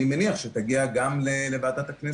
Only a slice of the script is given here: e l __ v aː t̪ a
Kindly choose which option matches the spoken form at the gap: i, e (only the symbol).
e